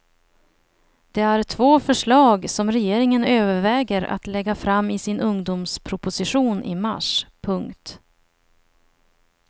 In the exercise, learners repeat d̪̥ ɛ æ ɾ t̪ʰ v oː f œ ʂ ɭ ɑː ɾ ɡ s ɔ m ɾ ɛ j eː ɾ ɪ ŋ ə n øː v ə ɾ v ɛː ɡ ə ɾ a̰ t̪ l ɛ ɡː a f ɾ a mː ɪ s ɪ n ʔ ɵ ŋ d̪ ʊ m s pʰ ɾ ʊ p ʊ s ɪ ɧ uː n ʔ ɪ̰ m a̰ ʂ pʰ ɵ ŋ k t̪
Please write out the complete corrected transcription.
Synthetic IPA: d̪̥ ɛ æ ɾ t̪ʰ v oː f œ ʂ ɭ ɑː ɡ s ɔ m ɾ ɛ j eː ɾ ɪ ŋ ə n øː v ə ɾ v ɛː ɡ ə ɾ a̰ t̪ l ɛ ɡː a f ɾ a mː ɪ s ɪ n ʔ ɵ ŋ d̪ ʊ m s pʰ ɾ ʊ p ʊ s ɪ ɧ uː n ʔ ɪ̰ m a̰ ʂ pʰ ɵ ŋ k t̪